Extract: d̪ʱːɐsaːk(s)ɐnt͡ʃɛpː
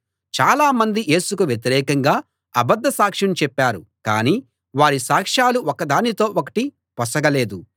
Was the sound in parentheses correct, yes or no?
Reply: no